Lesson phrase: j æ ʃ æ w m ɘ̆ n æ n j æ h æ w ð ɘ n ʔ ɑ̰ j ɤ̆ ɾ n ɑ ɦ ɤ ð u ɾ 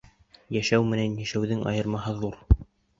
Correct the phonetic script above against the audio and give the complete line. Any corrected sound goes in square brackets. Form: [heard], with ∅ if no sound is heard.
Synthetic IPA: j æ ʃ æ w m ɘ̆ n æ n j æ [ʃ] æ w ð ɘ [ŋ] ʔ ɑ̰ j ɤ̆ ɾ [m] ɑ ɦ ɤ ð u ɾ